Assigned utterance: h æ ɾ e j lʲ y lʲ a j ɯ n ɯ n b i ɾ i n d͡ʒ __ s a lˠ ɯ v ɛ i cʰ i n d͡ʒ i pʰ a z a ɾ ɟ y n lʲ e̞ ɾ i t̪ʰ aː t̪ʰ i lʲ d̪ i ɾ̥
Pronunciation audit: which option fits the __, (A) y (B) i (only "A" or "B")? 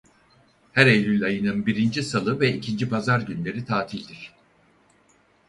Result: B